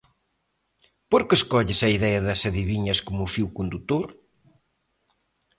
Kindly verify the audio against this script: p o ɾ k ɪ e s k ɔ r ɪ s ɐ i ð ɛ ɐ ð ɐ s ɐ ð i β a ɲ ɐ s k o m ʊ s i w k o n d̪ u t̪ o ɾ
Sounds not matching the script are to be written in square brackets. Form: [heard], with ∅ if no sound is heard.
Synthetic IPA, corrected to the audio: p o ɾ k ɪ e s k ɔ [ʎ] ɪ s ɐ i ð ɛ ɐ ð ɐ s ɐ ð i β [i] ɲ ɐ s k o m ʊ [f] i w k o n d̪ u t̪ o ɾ